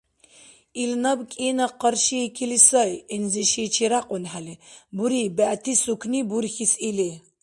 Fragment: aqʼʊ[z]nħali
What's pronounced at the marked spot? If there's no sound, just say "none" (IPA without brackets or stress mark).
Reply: none